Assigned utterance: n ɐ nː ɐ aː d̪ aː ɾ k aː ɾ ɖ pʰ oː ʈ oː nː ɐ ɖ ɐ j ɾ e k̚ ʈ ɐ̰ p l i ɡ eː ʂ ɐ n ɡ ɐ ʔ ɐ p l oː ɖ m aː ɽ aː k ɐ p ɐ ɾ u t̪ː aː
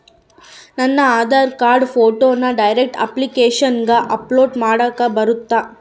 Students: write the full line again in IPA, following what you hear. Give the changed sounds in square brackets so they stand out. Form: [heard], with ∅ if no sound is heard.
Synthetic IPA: n ɐ nː ɐ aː d̪ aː ɾ k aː ɾ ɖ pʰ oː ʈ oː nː ɐ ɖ ɐ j ɾ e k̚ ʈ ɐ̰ p l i [k] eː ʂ ɐ n ɡ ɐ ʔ ɐ p l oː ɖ m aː ɽ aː k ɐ [b] ɐ ɾ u t̪ː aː